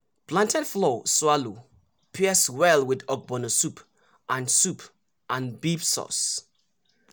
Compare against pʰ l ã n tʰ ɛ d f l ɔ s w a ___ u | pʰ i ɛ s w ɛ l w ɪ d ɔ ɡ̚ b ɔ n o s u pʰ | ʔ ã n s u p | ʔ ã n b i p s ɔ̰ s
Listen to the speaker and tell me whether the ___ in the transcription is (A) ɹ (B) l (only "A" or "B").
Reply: B